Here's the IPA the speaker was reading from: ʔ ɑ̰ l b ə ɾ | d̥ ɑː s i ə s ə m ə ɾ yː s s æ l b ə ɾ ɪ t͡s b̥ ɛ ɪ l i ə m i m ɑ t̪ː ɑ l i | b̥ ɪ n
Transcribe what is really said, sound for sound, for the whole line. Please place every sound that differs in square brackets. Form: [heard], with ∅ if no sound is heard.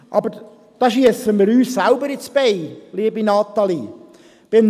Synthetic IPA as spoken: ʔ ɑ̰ [∅] b ə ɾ | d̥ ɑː [ʃ] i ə s ə m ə ɾ yː s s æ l b ə ɾ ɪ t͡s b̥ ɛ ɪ l i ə [b] i [n] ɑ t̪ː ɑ l i | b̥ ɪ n